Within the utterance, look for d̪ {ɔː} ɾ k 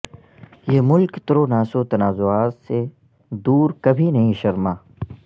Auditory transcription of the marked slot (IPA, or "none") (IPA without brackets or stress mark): uː